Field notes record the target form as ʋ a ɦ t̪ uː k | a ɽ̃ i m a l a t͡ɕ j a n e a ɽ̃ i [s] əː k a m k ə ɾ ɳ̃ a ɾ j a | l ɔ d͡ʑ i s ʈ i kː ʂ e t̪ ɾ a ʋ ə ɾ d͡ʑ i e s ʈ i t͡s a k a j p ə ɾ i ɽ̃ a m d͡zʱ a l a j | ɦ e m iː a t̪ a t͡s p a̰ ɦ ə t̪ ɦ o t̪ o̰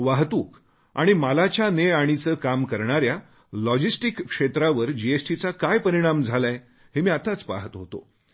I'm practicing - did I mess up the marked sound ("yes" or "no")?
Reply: yes